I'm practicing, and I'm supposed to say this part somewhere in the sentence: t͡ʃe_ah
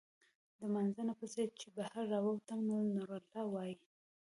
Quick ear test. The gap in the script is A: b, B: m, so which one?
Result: A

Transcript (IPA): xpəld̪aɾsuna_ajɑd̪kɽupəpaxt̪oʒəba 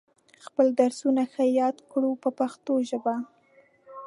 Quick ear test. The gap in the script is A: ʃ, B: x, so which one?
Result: B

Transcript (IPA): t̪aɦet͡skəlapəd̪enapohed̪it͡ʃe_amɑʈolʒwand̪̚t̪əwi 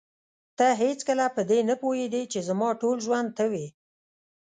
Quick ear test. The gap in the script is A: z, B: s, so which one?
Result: A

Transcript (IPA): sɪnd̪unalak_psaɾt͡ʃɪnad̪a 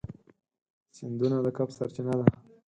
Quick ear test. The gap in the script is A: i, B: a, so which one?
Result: B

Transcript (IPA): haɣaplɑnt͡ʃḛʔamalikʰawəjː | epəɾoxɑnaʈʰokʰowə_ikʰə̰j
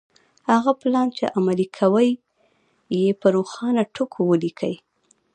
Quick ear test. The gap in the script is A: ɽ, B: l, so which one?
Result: B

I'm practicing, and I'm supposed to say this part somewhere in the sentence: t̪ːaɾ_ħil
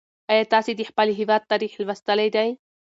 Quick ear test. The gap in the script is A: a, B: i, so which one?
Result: B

